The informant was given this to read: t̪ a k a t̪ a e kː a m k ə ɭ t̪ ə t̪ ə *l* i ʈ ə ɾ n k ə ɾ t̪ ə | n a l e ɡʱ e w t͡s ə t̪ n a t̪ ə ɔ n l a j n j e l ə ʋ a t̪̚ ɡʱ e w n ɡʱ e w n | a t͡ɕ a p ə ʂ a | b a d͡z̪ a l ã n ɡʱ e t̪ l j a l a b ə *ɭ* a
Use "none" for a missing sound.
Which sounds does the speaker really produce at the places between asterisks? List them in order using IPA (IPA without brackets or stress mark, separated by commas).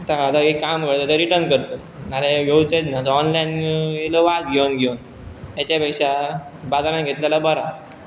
ɾ, ɾ